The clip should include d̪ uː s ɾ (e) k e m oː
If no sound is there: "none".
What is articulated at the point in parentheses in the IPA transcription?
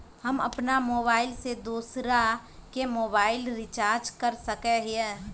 a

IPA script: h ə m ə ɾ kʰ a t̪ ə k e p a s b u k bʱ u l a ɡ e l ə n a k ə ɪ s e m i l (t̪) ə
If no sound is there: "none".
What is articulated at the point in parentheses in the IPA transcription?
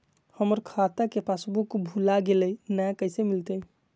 t̪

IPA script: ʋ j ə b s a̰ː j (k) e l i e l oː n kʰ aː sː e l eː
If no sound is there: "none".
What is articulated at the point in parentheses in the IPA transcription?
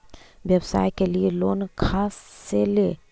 k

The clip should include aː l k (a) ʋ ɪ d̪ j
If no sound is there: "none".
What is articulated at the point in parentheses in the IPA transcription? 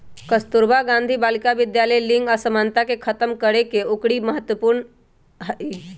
a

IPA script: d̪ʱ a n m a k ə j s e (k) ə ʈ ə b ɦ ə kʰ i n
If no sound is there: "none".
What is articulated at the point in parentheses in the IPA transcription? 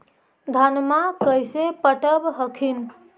p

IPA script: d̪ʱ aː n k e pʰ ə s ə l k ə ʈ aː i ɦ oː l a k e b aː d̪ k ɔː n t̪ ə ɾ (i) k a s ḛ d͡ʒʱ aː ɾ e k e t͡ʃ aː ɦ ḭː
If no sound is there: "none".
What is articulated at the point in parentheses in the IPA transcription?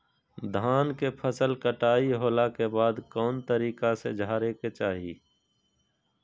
iː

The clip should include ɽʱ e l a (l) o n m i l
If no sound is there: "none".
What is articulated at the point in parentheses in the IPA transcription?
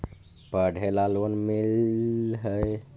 l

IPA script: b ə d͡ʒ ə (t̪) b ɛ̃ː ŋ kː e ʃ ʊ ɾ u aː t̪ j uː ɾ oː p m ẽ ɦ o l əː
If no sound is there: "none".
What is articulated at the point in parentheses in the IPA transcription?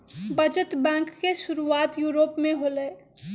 t̪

